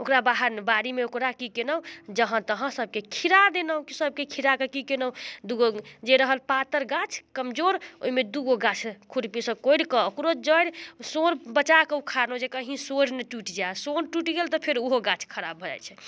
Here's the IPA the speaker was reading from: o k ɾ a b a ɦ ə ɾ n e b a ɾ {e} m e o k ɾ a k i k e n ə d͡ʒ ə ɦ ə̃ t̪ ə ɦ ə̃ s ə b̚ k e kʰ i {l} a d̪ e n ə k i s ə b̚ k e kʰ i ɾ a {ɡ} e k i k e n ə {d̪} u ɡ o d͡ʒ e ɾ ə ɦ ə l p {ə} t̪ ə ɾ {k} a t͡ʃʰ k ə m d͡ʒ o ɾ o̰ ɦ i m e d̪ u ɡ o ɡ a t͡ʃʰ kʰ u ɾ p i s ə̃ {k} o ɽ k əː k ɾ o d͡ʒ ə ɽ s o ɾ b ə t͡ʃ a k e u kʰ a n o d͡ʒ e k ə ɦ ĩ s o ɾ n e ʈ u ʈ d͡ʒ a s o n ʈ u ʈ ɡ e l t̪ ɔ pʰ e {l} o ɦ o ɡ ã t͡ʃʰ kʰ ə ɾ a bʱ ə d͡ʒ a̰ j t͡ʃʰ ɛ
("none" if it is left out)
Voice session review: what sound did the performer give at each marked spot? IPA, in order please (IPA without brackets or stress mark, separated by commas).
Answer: i, ɾ, k, d̪, a, ɡ, k, ɾ